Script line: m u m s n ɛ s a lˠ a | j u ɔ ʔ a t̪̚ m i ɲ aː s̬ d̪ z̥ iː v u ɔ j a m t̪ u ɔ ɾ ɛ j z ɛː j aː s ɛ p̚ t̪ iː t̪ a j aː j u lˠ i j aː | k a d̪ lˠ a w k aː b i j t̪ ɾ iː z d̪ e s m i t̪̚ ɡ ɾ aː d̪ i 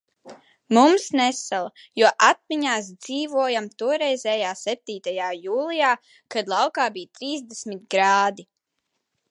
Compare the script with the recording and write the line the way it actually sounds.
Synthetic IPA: m u m s n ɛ s a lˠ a | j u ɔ ʔ a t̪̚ m i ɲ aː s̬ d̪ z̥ iː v u ɔ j a m t̪ u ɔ ɾ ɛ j z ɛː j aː s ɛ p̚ t̪ iː t̪ a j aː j uː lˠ i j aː | k a d̪ lˠ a w k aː b i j t̪ ɾ iː z d̪ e s m i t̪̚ ɡ ɾ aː d̪ i